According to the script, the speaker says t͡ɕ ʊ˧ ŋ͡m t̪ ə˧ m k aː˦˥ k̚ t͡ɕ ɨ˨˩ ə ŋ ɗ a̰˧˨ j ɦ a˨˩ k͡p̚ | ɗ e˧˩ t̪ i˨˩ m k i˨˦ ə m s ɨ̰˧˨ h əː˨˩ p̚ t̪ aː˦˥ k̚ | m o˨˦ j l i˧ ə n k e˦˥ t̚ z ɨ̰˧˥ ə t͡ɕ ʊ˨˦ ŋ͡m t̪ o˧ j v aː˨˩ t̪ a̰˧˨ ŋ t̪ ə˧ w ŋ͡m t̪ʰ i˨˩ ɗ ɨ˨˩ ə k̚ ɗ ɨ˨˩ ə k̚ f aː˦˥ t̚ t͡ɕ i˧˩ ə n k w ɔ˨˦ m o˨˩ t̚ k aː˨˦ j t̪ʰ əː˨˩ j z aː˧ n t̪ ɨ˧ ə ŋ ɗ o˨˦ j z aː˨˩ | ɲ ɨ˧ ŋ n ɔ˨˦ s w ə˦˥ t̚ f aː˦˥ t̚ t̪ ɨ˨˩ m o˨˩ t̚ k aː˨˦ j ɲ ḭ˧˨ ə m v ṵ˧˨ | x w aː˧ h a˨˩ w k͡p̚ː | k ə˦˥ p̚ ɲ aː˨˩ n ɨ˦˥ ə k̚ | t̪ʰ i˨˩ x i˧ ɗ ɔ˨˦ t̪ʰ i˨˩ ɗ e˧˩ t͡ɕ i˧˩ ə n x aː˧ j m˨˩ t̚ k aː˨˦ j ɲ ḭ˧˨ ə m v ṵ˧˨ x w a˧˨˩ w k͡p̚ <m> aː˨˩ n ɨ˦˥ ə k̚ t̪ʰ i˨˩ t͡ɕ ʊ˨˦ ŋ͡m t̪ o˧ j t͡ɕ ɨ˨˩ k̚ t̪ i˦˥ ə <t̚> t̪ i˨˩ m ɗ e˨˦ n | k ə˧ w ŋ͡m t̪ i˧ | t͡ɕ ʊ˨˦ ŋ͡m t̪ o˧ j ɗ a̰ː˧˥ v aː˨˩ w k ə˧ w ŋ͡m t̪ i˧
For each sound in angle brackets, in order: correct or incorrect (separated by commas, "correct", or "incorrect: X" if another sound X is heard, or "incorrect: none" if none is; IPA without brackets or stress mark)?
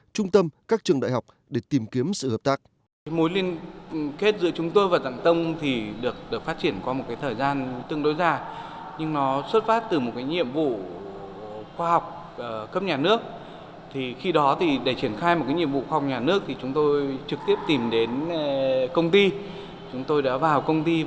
incorrect: ɲ, incorrect: p̚